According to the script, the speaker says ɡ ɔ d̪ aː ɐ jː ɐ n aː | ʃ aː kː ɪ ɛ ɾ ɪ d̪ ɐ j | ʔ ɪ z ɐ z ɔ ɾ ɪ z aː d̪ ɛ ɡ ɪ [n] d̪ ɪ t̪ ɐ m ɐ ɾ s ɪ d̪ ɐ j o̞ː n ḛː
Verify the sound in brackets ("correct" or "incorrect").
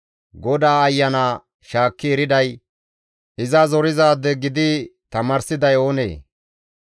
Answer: incorrect